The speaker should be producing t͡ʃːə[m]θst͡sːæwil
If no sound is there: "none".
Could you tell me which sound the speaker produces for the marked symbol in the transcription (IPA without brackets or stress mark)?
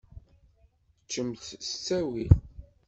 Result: m